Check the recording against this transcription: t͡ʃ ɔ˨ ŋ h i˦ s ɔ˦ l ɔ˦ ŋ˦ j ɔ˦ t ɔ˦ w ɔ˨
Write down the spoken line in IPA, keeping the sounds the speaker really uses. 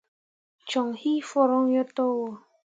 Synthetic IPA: t͡ʃ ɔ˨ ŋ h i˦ f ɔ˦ ɾ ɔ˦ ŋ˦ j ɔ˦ t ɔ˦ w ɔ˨